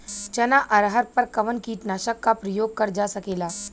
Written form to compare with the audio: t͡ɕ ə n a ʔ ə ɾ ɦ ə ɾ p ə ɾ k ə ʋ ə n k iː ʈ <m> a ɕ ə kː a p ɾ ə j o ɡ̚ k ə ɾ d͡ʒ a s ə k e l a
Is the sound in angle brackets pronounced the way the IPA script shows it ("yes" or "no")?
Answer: no